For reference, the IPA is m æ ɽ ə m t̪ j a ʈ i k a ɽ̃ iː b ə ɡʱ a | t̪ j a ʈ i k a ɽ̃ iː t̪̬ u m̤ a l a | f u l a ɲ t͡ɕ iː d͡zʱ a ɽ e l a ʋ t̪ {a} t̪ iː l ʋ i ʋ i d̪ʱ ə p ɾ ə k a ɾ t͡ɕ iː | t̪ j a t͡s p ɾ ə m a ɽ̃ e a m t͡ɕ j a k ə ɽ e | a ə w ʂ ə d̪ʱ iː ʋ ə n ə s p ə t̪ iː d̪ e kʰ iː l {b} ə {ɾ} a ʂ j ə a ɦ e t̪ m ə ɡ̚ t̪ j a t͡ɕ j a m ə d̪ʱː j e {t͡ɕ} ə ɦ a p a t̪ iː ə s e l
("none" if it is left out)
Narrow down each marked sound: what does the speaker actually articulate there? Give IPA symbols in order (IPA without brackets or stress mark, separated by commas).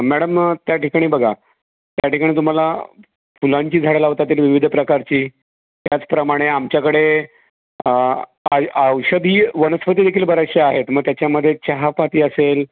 a, b, ɾ, t͡ɕ